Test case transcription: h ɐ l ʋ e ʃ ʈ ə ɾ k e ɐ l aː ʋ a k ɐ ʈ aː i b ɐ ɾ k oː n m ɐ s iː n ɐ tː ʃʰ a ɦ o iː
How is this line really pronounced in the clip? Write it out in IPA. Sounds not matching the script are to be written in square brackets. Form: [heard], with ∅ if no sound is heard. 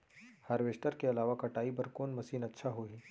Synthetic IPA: h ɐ [ɾ] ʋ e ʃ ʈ ə ɾ k e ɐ l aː ʋ a k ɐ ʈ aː i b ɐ ɾ k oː n m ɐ s iː n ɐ tː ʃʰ a ɦ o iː